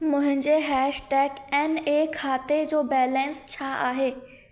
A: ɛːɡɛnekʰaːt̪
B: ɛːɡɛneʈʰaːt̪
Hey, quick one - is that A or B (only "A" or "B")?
A